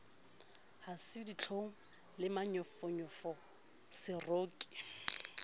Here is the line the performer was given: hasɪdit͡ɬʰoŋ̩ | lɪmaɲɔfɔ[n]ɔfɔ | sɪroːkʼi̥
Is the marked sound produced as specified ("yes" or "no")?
no